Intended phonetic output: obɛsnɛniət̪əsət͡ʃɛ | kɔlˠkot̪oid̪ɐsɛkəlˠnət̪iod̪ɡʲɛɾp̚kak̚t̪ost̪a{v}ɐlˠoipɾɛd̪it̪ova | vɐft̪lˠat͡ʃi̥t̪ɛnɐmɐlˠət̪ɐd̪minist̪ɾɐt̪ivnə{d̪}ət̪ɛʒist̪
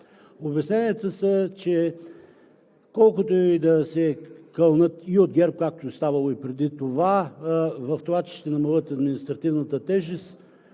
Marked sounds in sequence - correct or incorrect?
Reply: correct, incorrect

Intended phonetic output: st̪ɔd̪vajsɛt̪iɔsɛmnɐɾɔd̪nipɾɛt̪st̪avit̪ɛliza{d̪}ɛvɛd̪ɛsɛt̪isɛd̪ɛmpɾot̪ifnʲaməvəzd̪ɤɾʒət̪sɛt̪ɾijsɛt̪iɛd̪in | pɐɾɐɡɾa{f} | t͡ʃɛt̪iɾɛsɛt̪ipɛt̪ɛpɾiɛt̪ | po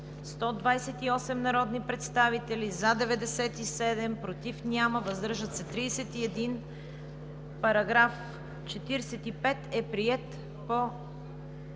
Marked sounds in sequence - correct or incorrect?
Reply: correct, correct

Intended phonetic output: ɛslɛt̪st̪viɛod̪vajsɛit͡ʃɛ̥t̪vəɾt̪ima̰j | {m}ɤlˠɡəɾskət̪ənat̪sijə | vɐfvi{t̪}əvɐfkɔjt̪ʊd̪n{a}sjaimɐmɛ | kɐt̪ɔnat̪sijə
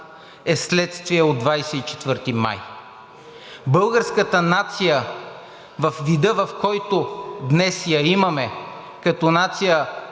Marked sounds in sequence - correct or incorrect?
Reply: incorrect, incorrect, incorrect

